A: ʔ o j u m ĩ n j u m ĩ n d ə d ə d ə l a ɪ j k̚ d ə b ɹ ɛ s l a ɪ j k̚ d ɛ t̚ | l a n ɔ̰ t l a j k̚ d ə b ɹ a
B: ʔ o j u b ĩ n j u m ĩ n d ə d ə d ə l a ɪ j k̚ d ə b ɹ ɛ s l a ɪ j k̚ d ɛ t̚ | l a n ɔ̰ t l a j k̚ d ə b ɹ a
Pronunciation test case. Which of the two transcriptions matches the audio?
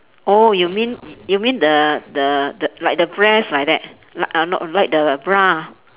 A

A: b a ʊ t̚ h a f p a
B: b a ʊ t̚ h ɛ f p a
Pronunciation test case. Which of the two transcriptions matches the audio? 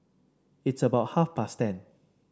A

